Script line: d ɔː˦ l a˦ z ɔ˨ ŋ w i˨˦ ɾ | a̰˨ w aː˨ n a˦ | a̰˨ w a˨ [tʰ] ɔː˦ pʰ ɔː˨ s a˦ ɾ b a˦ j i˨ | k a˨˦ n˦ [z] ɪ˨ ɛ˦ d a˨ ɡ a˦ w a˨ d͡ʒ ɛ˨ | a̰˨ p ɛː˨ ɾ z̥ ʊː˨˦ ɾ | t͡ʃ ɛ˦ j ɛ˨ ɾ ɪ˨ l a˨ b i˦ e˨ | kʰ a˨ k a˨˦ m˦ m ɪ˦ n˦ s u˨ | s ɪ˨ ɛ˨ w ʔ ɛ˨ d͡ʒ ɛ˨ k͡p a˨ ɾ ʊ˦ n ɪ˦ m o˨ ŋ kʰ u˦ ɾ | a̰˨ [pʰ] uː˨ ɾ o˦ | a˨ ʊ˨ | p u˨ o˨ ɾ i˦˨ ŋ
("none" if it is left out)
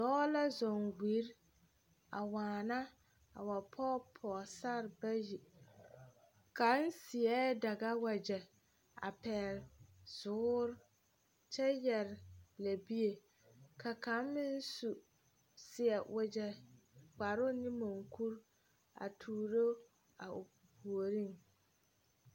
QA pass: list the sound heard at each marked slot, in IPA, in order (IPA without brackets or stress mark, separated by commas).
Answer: pʰ, s, tʰ